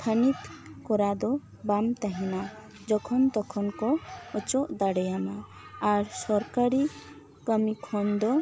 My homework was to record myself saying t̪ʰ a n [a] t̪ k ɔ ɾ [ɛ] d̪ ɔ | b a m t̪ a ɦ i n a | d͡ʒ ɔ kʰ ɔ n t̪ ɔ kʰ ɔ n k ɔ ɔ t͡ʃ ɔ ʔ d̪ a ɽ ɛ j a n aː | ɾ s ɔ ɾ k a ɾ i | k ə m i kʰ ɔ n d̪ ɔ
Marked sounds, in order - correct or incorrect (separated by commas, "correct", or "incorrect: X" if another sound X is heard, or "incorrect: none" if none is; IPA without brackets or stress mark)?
incorrect: i, incorrect: a